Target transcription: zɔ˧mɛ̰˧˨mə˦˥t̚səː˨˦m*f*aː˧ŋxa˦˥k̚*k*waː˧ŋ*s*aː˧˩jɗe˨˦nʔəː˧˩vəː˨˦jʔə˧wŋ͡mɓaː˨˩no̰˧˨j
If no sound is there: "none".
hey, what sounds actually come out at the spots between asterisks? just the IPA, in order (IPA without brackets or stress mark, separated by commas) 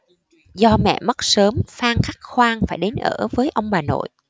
f, x, f